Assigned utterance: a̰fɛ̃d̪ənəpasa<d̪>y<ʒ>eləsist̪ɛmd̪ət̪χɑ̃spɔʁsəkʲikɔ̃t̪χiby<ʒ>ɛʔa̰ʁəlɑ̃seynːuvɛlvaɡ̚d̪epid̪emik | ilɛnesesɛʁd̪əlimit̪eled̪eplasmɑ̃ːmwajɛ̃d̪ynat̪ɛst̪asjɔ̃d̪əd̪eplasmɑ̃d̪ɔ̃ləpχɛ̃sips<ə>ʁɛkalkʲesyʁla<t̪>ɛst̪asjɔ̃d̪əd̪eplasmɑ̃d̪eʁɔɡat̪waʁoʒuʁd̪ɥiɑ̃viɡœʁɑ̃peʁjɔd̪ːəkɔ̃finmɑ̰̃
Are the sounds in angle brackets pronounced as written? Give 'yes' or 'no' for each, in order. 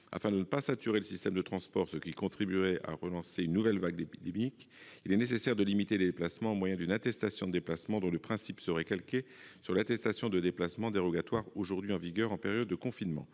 no, no, no, yes, yes

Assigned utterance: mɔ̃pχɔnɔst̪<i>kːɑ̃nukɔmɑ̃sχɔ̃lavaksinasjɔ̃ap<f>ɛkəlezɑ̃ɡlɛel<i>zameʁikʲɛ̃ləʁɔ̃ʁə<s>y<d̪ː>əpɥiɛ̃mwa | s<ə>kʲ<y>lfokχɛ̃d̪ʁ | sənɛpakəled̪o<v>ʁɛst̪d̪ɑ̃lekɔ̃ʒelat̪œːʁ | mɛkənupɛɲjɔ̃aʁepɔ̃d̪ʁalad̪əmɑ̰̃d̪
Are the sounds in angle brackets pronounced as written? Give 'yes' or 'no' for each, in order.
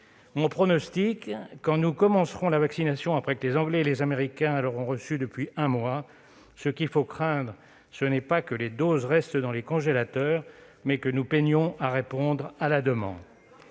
yes, no, no, yes, no, yes, no, no

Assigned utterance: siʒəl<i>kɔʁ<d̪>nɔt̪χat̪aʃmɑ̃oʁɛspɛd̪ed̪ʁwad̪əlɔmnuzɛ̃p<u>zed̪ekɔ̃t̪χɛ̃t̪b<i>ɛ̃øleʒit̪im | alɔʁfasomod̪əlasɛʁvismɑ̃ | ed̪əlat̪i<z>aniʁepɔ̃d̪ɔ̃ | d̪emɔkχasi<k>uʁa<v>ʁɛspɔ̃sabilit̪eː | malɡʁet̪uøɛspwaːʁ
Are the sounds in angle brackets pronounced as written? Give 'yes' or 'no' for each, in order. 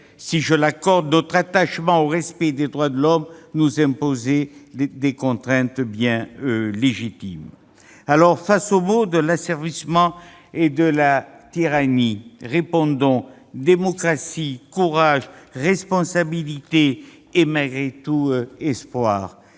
no, yes, no, no, no, yes, no

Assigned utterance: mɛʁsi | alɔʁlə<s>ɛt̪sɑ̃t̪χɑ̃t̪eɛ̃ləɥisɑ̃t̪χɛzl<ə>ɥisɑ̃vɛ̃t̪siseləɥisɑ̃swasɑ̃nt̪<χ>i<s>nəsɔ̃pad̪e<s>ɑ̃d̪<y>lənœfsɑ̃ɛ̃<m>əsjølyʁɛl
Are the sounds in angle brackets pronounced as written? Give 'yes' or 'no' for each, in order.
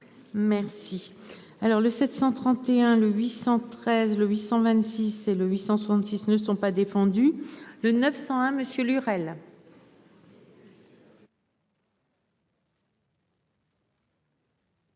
yes, yes, no, yes, no, yes, yes

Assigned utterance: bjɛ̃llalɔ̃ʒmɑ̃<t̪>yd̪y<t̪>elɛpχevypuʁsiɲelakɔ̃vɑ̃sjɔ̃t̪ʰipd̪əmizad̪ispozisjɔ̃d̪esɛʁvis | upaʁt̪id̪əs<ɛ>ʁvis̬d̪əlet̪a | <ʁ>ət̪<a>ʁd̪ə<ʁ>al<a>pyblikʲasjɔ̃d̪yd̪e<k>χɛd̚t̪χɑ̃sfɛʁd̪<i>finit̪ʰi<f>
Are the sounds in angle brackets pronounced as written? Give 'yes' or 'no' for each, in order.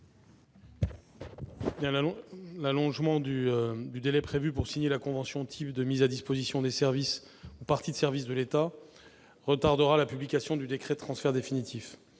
no, no, yes, yes, yes, yes, yes, yes, no, yes

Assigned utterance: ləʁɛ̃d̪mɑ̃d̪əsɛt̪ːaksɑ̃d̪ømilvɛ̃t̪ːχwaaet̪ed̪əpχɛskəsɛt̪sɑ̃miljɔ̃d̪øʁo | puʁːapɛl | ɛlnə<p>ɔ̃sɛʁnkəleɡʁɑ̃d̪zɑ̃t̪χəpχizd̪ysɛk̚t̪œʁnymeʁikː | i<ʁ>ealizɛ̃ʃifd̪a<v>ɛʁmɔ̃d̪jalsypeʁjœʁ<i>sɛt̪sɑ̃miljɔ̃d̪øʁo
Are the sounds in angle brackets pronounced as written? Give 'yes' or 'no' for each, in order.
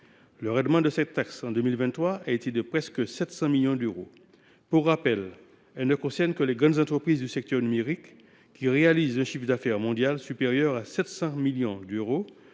no, yes, no, no

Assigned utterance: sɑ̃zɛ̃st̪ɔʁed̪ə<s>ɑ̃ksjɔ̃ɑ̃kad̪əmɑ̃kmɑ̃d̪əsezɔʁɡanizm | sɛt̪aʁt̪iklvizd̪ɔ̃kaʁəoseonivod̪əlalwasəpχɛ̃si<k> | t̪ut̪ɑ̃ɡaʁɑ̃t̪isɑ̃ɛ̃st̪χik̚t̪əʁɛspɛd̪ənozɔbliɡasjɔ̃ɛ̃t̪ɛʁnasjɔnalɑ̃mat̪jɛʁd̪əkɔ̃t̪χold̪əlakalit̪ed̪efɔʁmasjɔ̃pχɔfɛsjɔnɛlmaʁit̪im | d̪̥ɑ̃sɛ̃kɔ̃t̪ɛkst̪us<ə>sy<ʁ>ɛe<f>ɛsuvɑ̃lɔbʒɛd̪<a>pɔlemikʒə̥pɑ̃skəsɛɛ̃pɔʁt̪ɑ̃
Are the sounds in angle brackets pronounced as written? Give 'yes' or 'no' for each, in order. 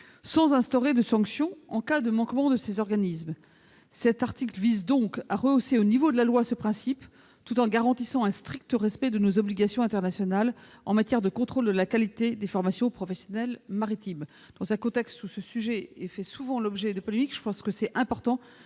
yes, no, yes, no, yes, no

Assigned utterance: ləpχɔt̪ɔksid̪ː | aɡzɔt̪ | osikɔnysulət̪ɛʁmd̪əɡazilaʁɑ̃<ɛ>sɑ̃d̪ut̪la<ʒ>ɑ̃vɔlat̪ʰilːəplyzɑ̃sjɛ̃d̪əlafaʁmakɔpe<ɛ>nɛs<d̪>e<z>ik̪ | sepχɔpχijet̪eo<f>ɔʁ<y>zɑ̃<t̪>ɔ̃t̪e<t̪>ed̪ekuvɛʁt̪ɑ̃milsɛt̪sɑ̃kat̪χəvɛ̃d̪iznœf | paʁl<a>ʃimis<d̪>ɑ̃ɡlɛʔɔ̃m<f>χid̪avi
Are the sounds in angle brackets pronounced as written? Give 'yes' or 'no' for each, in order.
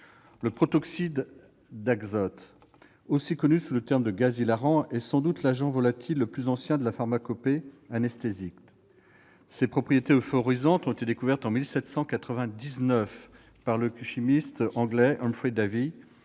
yes, yes, no, no, yes, yes, no, yes, yes, no, no, yes

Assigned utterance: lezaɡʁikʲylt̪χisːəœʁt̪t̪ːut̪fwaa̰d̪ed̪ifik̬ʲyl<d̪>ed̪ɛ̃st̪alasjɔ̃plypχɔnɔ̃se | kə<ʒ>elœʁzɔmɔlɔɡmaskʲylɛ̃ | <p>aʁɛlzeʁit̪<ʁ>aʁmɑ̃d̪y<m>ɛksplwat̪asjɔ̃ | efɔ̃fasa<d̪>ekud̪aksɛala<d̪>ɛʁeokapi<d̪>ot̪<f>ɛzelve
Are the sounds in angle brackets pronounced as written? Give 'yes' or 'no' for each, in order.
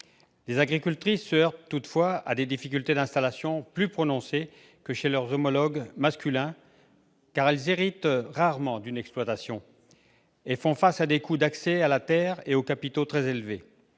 no, no, no, yes, no, yes, no, no, no

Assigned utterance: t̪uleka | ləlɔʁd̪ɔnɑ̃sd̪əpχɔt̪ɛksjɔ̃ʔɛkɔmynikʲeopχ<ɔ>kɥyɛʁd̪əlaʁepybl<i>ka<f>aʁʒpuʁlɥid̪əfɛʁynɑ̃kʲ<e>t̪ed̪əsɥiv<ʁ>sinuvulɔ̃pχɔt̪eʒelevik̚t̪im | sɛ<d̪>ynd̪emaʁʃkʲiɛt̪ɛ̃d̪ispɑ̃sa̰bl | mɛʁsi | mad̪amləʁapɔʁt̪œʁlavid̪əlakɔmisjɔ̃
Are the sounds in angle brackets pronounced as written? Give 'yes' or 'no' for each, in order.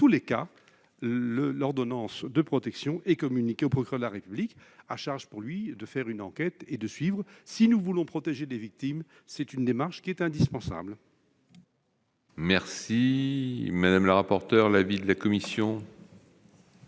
yes, yes, no, no, yes, no

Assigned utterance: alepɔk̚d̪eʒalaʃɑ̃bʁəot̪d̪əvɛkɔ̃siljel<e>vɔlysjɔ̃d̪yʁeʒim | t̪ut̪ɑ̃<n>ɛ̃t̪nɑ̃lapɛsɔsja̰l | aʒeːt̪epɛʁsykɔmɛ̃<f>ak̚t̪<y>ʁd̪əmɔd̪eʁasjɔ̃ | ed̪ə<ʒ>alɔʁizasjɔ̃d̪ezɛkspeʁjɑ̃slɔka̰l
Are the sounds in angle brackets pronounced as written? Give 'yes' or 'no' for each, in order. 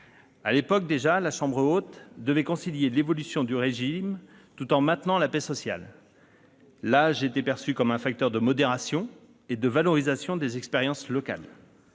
yes, no, yes, no, no

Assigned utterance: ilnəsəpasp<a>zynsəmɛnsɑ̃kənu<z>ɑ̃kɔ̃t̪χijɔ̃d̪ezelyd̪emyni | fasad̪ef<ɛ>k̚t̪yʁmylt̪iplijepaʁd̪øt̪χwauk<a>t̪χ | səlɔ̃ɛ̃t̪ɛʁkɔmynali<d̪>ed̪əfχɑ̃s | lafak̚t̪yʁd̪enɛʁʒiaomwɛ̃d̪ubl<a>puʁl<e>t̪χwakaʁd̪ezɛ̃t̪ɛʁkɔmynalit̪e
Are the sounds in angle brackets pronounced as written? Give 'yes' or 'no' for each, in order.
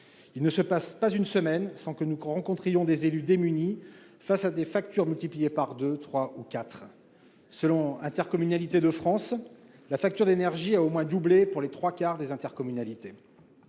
yes, no, no, yes, no, no, yes

